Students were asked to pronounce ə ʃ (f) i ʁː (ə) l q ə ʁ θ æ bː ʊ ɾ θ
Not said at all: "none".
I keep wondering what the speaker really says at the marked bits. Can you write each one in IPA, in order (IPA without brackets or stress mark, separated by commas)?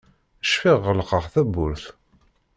f, ə